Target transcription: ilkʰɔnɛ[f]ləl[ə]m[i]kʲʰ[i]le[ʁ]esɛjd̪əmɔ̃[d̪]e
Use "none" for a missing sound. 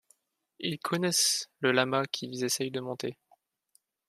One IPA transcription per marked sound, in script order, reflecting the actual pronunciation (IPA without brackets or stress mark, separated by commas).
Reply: s, a, a, i, z, t̪